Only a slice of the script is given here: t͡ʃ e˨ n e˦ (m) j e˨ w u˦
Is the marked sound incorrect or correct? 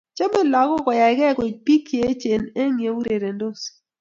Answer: incorrect